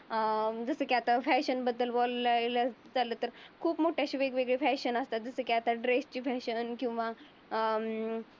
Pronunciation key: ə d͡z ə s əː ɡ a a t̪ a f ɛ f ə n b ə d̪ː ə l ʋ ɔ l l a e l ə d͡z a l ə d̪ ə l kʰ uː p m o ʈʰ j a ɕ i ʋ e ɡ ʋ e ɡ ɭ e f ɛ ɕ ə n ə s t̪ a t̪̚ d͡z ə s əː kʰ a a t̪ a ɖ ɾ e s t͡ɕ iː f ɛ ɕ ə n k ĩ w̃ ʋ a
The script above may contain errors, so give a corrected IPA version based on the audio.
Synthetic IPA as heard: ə d͡z ə s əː k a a t̪ a f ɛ ɕ ə n b ə d̪ː ə l ʋ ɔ l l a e l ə d͡z a l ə t̪ ə ɾ kʰ uː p m o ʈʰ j a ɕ i ʋ e ɡ ʋ e ɡ ɭ e f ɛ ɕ ə n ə s t̪ a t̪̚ d͡z ə s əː k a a t̪ a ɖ ɾ e s t͡ɕ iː f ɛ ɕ ə n k ĩ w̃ ʋ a